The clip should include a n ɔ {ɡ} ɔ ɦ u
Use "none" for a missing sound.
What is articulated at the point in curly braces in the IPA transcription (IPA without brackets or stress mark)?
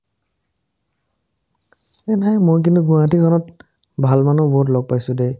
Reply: b